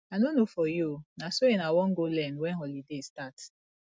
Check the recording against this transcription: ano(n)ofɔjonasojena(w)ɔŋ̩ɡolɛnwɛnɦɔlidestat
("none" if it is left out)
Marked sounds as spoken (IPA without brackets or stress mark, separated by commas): n, w